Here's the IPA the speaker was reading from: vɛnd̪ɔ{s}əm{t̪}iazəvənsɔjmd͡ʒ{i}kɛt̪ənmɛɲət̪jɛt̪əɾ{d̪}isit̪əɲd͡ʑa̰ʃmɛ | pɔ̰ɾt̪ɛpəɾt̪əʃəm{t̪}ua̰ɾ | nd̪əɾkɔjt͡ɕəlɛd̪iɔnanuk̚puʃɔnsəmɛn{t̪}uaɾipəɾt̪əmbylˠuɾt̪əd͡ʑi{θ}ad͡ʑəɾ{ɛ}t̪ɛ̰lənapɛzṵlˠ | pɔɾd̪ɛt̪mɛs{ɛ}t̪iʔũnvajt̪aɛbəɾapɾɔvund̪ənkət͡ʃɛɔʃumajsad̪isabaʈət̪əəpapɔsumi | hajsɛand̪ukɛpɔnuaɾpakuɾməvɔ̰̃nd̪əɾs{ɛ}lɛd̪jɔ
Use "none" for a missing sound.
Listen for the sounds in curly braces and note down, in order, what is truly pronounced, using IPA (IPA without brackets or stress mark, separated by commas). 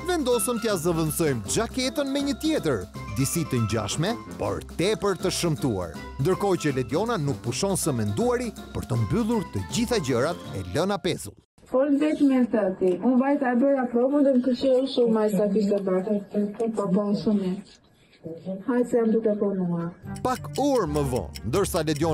s, t̪, a, d̪, t̪, d̪, θ, a, a, a